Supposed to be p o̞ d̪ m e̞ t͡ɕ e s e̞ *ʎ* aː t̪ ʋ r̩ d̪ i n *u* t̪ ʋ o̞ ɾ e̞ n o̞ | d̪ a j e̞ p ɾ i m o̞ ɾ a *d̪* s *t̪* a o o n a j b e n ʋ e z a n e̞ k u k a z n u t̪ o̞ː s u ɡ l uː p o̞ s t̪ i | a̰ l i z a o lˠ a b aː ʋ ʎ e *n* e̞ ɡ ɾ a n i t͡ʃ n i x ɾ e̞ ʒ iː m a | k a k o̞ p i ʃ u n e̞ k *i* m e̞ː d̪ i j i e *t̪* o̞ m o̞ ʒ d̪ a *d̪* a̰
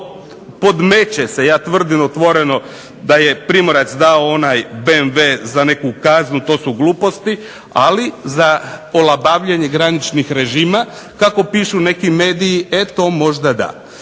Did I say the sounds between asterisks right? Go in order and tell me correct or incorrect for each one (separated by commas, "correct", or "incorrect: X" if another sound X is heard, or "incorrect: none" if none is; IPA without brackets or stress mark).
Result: incorrect: j, incorrect: o, incorrect: t̪, incorrect: d̪, incorrect: ɲ, correct, correct, correct